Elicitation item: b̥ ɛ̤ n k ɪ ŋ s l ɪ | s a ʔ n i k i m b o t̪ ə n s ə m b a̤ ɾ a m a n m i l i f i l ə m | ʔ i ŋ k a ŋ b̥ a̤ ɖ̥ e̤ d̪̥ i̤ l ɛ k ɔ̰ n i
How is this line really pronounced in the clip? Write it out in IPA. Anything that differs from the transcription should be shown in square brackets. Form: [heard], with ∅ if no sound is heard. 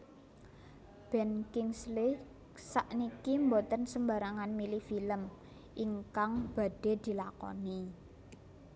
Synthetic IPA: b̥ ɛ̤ n k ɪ ŋ s l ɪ | s a ʔ n i k i m b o t̪ ə n s ə m b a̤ ɾ a [ŋ] a n m i l i f i l ə m | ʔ i ŋ k a ŋ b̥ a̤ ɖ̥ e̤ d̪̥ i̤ l [a] k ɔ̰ n i